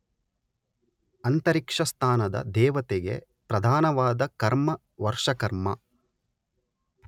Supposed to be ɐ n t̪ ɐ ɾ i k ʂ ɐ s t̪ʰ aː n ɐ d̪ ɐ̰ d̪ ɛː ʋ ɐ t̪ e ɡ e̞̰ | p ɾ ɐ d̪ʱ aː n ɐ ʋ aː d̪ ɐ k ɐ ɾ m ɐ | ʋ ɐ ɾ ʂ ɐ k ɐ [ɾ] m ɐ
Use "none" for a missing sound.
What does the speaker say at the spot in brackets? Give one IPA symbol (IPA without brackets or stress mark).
ɾ